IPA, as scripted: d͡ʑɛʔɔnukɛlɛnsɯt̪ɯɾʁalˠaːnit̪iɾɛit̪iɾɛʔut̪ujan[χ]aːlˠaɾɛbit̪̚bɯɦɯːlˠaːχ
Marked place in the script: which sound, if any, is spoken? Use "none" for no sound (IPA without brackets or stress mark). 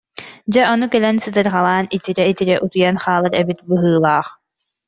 χ